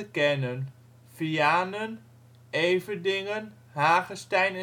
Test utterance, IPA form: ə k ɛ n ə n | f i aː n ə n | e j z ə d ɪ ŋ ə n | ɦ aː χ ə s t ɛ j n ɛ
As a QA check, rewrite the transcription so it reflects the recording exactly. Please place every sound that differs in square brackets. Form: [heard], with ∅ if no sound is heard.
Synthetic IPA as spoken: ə k ɛ n ə n | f i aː n ə n | e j [v] ə d ɪ ŋ ə n | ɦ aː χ ə s t ɛ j n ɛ